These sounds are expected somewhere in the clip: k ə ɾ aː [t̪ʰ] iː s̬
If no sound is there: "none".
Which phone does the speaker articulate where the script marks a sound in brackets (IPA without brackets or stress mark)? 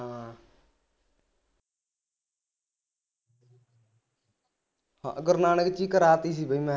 t̪